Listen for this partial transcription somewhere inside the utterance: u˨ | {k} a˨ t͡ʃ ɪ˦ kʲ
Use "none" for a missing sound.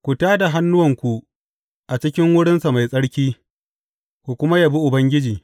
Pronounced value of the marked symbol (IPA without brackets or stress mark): ʔ